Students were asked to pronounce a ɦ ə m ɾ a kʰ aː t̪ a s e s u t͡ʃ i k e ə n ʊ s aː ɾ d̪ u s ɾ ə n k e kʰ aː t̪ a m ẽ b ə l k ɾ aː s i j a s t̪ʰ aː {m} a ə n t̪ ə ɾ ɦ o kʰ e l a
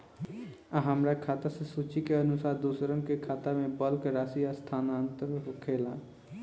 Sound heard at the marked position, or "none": n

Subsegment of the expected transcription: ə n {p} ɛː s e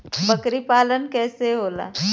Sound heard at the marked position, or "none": k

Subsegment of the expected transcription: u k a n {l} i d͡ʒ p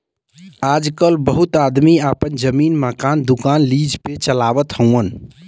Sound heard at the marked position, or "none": l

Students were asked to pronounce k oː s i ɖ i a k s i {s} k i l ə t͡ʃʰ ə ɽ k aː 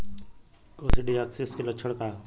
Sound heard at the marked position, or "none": s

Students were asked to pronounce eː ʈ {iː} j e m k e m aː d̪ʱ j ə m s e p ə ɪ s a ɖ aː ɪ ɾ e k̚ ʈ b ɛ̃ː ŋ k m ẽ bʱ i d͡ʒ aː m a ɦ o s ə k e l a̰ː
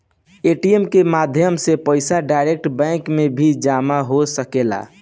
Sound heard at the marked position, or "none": i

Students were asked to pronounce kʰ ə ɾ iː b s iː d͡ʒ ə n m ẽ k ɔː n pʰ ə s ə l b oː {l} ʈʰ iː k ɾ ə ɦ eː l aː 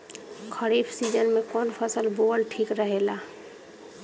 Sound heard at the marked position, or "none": l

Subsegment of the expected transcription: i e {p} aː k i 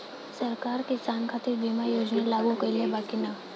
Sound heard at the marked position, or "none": b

